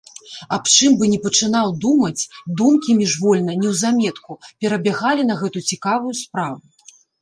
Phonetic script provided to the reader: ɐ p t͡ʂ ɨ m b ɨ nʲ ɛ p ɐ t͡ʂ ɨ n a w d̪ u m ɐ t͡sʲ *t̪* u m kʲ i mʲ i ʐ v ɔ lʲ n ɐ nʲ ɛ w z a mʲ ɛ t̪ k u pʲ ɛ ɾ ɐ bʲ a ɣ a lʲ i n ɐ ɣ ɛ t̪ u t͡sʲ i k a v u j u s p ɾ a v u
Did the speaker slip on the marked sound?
yes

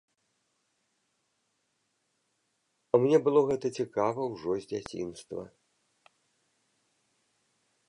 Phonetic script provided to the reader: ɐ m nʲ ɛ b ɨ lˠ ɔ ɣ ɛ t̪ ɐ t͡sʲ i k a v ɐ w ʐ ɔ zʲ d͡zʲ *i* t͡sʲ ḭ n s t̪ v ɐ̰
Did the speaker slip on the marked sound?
yes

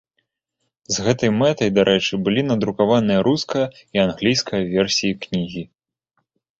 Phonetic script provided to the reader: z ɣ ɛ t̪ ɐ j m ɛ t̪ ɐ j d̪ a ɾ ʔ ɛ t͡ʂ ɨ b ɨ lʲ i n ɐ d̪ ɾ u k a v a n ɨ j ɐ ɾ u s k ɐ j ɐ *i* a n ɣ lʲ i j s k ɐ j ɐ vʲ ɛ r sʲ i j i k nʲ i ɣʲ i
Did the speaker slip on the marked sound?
no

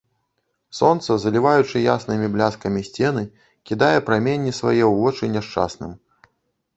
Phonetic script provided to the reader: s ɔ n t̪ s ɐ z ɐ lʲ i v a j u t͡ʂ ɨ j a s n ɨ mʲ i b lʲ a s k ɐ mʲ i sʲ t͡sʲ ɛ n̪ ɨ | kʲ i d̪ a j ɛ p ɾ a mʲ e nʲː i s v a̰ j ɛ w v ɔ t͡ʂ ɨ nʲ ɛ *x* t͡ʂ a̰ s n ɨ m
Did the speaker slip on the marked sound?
yes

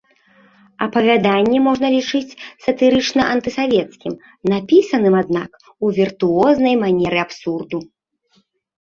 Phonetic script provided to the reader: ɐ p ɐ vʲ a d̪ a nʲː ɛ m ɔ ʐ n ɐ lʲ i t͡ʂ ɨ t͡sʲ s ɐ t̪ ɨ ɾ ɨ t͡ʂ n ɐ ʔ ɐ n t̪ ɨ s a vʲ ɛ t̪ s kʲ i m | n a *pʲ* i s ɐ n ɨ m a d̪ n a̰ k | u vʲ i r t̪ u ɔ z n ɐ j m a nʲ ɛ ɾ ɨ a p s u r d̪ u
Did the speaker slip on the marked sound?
no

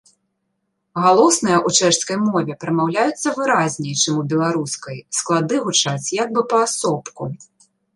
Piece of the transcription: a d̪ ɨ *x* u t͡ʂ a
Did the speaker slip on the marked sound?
yes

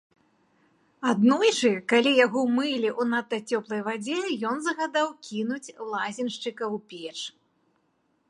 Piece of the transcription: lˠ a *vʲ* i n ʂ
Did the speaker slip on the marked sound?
yes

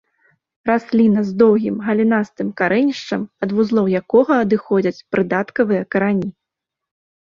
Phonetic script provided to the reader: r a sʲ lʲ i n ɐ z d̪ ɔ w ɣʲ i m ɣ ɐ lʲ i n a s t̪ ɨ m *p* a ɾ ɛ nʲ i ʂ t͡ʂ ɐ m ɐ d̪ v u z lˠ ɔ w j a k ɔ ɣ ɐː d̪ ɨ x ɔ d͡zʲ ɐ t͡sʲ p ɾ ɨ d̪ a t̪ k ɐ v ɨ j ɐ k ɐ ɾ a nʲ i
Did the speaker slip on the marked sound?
yes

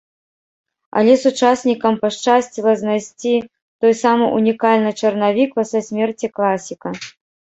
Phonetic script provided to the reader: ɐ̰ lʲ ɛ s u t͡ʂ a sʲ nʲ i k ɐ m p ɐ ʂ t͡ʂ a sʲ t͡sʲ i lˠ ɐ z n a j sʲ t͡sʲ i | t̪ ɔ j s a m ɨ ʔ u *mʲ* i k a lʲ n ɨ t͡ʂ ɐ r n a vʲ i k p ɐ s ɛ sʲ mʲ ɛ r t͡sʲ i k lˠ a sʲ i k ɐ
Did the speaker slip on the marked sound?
yes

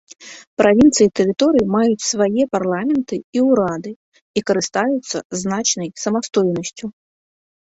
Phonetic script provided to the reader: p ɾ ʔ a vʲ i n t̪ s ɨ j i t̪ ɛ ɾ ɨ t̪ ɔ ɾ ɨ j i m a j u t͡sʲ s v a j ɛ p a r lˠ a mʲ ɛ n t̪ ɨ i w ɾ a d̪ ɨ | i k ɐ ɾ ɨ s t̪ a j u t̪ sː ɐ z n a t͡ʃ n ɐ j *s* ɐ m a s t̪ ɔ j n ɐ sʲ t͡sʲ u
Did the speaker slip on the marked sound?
no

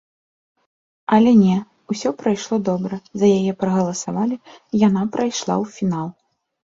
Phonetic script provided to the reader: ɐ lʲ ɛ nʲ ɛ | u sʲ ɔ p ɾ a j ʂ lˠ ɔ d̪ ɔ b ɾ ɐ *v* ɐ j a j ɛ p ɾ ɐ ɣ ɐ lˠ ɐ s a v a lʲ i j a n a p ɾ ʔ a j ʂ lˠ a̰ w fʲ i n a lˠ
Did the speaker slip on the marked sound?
yes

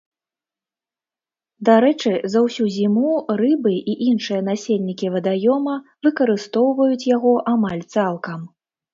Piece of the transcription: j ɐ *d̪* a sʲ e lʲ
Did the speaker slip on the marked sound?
yes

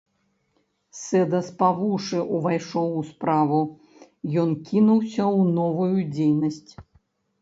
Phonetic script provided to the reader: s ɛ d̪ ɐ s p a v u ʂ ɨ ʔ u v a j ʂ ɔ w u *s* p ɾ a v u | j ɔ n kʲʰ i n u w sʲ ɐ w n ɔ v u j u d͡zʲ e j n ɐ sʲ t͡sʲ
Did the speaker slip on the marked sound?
no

